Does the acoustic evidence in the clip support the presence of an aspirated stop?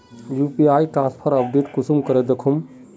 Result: yes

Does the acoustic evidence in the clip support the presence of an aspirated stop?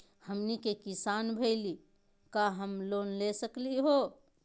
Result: no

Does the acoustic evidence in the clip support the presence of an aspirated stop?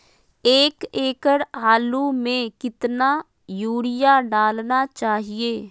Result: no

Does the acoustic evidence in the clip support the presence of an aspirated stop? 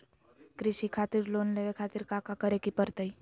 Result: yes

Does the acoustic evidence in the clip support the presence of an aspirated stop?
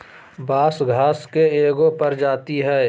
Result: no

